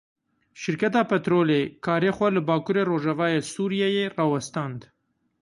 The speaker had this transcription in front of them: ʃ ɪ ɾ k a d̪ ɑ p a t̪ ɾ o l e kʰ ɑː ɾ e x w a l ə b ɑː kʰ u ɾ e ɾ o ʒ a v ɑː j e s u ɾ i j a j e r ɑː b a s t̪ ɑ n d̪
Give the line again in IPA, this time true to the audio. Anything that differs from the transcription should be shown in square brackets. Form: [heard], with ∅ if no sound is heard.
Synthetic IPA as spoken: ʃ ɪ ɾ k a [t̪] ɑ p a t̪ ɾ o l e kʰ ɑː ɾ e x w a l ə b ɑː [k] u ɾ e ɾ o ʒ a v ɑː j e s u ɾ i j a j e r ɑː [w] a s t̪ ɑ n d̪